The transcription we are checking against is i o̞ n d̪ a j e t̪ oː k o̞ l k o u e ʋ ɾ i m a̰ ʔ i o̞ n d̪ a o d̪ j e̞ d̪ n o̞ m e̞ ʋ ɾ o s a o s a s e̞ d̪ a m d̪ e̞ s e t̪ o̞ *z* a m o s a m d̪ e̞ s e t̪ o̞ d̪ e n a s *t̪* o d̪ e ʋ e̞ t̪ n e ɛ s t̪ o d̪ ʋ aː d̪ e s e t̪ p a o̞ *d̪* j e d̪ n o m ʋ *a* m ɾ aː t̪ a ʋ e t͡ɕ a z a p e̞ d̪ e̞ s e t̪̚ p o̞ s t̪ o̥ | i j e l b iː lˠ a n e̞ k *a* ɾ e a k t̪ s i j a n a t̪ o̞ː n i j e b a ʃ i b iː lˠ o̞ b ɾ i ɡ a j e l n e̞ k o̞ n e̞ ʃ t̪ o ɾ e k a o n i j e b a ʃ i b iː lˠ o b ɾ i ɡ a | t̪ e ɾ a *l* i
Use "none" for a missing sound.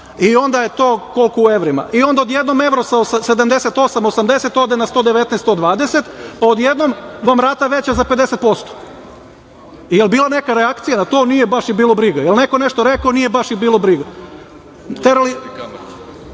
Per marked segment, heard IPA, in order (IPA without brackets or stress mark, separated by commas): s, t̪, d̪, a, a, l